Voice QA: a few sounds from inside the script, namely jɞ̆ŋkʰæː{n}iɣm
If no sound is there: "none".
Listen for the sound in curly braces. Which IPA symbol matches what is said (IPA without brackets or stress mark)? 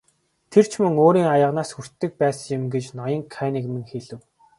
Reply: n